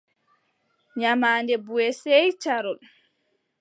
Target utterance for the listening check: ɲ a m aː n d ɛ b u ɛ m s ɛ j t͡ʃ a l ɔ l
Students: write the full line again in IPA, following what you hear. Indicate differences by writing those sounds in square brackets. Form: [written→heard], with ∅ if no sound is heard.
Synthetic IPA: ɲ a m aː n d ɛ b u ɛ [m→∅] s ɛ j t͡ʃ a [l→ɾ] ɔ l

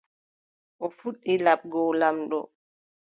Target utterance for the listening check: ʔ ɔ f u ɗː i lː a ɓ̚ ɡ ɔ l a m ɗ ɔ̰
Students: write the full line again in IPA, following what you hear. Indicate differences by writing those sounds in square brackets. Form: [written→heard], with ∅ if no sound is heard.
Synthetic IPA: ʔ ɔ f u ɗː i [lː→l] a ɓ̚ ɡ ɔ l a m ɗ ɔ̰

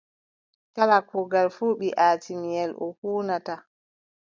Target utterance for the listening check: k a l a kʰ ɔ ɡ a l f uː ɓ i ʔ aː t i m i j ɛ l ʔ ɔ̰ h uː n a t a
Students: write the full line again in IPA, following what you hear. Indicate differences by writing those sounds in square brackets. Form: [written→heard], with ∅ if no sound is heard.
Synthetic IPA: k a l a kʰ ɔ ɡ a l f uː ɓ i ʔ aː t i m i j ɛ l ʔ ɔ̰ h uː n a t a

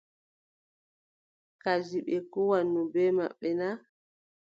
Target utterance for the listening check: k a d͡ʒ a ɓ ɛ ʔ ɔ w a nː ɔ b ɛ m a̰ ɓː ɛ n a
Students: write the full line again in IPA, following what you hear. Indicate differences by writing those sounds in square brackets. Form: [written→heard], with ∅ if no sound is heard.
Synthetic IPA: k a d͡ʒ [a→i] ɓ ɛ [ʔ→k] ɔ w a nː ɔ b ɛ m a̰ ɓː ɛ n a

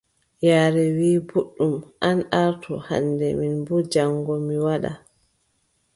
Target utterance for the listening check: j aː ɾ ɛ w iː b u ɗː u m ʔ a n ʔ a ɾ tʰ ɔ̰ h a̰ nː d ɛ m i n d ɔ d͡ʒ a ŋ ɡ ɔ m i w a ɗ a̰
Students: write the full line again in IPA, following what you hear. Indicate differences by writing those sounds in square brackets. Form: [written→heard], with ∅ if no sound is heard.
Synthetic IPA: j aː ɾ ɛ w iː b u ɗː u m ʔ a n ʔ a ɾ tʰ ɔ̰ h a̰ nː d ɛ m i n [d→b] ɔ d͡ʒ a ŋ ɡ ɔ m i w a ɗ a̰

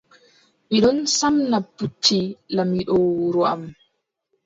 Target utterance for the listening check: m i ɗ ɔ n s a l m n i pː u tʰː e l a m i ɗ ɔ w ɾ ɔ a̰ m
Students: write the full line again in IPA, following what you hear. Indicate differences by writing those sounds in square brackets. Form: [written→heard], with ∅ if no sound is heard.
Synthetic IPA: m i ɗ ɔ n s a [l→∅] m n [i→a] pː u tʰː [e→i] l a m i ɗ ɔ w ɾ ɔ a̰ m

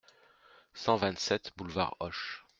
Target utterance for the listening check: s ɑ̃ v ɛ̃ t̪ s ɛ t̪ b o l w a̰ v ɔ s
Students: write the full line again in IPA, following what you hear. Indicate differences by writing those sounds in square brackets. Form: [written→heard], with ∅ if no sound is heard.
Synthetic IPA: s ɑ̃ v ɛ̃ t̪ s ɛ t̪ b [o→u] l [w→v] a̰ [v→ʁ] ɔ [s→ʃ]

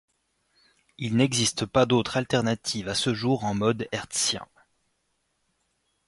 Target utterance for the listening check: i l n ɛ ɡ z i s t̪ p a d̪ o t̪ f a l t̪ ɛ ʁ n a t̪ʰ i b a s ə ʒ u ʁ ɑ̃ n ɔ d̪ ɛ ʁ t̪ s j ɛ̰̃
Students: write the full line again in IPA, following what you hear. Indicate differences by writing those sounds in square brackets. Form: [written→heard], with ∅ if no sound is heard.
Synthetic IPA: i l n ɛ ɡ z i s t̪ p a d̪ o t̪ [f→χ] a l t̪ ɛ ʁ n a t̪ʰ i [b→v] a s ə ʒ u ʁ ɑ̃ [n→m] ɔ d̪ ɛ ʁ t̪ s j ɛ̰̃

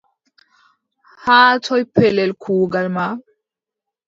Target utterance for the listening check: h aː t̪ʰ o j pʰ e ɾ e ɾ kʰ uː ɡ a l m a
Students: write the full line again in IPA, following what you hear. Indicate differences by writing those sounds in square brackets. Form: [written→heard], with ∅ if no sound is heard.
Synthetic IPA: h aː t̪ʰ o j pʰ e [ɾ→l] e [ɾ→l] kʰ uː ɡ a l m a

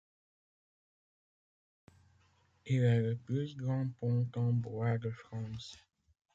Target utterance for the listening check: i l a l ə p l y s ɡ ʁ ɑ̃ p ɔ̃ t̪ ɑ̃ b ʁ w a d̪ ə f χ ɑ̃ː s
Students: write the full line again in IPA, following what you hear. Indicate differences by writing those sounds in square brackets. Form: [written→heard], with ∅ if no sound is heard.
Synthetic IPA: i l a l ə p l y s ɡ ʁ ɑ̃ p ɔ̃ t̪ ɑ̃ b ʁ w a d̪ ə f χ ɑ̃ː s

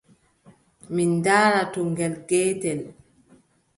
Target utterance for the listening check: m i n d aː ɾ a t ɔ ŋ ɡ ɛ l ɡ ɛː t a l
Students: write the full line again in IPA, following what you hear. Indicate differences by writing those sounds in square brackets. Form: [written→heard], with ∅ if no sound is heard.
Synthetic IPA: m i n d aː ɾ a t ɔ ŋ ɡ ɛ l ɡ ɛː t [a→ɛ] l

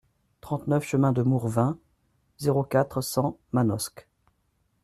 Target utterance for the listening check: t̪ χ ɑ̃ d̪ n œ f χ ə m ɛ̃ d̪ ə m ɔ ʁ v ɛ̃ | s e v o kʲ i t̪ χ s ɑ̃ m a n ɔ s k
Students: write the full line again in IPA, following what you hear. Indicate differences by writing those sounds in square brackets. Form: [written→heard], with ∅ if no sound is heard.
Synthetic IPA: t̪ χ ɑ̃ [d̪→t̪] n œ f [χ→ʃ] ə m ɛ̃ d̪ ə m [ɔ→u] ʁ v ɛ̃ | [s→z] e [v→ʁ] o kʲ [i→a] t̪ χ s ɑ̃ m a n ɔ s k

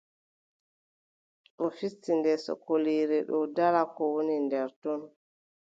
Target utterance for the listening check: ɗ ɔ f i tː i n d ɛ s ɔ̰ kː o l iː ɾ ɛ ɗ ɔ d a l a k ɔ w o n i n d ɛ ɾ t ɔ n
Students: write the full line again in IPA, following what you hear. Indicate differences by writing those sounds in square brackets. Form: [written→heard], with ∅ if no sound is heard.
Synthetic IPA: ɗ ɔ f i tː i n d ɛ s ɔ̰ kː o l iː ɾ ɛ ɗ ɔ d a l a k ɔ w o n i n d ɛ ɾ t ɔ n

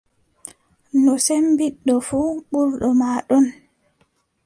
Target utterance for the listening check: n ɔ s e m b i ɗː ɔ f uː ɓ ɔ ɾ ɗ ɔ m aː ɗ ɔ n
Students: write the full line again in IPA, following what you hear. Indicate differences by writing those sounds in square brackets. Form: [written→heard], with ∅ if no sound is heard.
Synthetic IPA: n ɔ s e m b i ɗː ɔ f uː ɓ [ɔ→u] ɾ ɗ ɔ m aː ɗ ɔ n

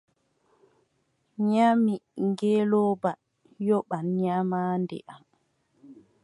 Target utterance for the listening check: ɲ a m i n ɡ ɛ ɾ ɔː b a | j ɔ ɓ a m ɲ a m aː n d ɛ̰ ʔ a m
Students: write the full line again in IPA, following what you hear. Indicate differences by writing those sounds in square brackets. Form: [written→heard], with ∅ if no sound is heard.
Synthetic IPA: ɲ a m i [n→ŋ] ɡ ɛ [ɾ→l] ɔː b a | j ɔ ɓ a [m→n] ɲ a m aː n d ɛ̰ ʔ a m

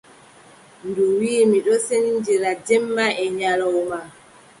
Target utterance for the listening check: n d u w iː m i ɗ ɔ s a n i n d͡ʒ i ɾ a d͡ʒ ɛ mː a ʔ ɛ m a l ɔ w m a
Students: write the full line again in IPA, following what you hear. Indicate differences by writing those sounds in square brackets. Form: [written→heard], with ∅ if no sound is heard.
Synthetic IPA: n d u w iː m i ɗ ɔ s [a→e] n i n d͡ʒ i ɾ a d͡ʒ ɛ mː a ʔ ɛ [m→ɲ] a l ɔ w m a

